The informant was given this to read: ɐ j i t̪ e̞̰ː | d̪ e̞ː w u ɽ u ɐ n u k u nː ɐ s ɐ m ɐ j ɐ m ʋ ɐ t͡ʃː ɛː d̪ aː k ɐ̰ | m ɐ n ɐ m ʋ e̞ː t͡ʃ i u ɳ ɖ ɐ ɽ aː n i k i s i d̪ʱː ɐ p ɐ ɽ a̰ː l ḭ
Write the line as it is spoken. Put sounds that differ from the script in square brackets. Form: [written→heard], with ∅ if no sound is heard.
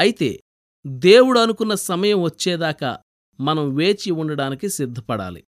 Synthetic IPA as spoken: ɐ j i t̪ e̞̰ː | d̪ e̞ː w u ɽ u ɐ n u k u nː ɐ s ɐ m ɐ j ɐ m ʋ ɐ t͡ʃː ɛː d̪ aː k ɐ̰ | m ɐ n ɐ m ʋ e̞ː t͡ʃ i u ɳ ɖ ɐ ɽ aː n i k i s i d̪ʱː ɐ p ɐ ɽ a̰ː l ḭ